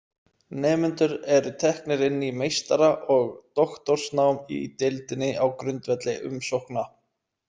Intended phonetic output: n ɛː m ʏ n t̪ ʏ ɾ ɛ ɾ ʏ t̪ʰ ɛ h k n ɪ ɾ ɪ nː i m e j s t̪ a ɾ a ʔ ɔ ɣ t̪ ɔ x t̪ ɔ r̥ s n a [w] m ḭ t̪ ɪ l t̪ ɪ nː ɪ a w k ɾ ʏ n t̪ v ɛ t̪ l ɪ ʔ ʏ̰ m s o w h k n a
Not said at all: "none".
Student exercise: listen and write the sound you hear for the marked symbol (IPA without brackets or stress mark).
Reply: w